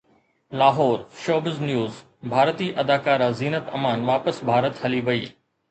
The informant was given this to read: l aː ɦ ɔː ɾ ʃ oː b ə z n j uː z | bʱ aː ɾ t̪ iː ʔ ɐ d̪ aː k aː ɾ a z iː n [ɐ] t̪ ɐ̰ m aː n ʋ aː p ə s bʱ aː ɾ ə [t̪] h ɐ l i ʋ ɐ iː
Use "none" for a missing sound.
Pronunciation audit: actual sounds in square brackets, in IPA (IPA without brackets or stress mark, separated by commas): ə, t̪